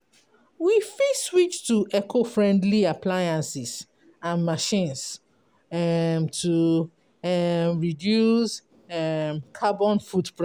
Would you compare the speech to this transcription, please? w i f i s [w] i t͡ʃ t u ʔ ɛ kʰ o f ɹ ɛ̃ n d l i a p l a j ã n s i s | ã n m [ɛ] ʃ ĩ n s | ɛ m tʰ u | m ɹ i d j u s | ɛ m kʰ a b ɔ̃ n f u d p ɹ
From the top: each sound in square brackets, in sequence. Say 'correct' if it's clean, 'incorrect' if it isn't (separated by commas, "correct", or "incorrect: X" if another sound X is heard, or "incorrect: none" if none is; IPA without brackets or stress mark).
correct, incorrect: a